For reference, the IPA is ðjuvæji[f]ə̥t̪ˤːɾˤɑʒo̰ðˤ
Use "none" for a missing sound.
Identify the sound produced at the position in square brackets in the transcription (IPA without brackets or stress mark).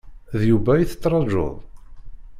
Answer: θ